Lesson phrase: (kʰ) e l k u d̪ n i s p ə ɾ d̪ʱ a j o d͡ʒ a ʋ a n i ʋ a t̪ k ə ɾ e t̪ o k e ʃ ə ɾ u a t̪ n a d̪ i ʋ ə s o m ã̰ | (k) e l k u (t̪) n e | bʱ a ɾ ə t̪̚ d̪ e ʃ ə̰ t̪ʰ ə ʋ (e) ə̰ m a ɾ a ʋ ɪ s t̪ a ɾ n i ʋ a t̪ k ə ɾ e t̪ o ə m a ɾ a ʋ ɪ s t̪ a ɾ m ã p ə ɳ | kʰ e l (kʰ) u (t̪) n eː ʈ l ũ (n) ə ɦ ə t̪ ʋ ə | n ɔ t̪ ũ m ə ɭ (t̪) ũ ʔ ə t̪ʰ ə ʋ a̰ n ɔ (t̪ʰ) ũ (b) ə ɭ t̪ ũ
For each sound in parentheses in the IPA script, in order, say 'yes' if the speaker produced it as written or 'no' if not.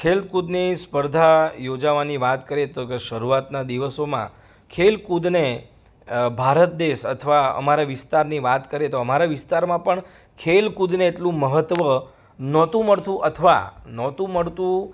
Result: yes, no, no, no, no, no, no, yes, no, no

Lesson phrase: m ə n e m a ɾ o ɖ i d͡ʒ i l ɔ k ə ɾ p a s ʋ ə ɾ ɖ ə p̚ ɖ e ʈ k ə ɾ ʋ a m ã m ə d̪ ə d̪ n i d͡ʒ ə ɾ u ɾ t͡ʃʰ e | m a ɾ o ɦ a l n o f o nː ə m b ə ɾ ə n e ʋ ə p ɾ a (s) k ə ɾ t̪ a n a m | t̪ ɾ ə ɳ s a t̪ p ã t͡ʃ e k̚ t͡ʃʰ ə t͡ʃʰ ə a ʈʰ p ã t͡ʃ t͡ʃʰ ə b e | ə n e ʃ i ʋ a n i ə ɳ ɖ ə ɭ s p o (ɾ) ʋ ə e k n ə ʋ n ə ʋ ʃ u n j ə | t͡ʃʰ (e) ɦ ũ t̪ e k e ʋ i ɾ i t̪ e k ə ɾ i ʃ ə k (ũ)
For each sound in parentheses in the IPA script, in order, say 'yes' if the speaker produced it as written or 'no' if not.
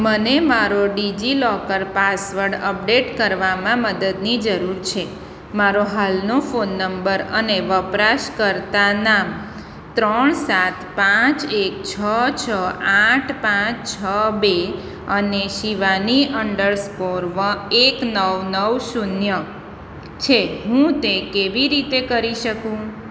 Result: no, yes, yes, yes

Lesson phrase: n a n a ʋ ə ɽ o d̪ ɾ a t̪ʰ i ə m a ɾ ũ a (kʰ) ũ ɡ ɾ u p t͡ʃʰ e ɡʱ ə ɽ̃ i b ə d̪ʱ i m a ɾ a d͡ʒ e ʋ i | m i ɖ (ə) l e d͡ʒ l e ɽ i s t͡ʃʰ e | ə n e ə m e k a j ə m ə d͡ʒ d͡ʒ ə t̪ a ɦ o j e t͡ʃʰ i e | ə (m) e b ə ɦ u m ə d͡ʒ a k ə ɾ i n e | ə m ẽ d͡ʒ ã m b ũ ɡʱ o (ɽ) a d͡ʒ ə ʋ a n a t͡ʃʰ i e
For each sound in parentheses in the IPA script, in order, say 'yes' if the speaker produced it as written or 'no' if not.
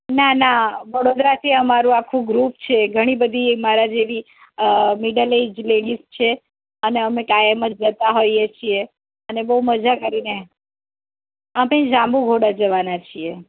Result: yes, yes, no, yes

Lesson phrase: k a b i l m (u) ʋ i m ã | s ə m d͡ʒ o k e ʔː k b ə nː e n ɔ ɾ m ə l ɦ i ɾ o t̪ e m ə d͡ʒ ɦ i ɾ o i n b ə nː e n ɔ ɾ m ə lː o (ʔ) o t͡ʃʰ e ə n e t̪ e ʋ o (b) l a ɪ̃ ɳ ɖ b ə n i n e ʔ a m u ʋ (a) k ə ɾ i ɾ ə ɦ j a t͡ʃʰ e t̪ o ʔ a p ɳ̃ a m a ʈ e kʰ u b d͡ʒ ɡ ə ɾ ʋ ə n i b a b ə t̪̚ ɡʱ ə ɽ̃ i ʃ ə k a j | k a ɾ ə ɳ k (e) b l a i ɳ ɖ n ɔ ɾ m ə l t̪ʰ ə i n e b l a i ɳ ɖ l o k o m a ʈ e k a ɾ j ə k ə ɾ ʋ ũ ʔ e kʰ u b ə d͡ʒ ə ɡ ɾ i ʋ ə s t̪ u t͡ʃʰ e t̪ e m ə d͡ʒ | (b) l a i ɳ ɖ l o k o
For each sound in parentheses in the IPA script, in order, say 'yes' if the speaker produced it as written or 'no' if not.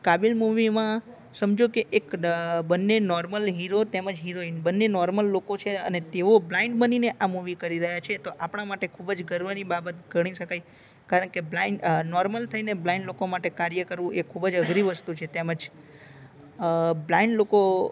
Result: yes, no, yes, no, yes, yes

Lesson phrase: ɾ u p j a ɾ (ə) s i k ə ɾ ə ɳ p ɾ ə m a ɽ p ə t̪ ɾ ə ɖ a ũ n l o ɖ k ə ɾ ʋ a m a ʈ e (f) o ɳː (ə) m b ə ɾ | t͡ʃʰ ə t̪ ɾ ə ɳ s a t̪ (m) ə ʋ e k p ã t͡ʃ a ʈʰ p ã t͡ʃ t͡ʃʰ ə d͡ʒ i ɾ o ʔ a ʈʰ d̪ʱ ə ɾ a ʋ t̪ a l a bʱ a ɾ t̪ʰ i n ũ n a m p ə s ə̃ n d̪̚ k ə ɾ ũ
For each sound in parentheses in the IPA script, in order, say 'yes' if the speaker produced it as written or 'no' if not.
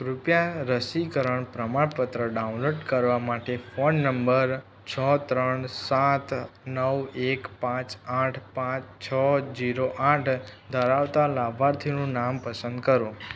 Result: yes, yes, yes, no

